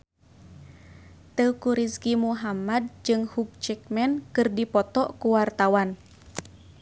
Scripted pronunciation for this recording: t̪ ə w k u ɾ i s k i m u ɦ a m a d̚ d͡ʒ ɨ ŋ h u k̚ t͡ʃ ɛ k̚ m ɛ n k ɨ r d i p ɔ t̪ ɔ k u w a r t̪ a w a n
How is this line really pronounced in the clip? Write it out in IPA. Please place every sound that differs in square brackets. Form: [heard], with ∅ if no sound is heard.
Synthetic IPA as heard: t̪ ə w k u ɾ i s k i m u ɦ a m a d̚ d͡ʒ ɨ ŋ h u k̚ t͡ʃ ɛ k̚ m ɛ n k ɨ r d i p ɔ t̪ ɔ k u w a r t̪ a w a n